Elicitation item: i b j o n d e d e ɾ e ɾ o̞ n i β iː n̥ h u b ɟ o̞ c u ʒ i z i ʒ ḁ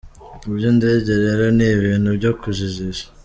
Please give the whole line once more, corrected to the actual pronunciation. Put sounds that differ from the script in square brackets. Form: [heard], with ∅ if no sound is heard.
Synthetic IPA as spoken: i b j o n d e [ɟ] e ɾ e ɾ o̞ n i β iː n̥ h u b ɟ o̞ [k] u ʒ i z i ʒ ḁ